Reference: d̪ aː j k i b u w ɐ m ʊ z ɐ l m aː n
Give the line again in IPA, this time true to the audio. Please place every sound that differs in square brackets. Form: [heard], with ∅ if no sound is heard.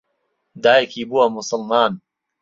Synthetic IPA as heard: d̪ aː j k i b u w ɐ m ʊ [s] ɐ l m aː n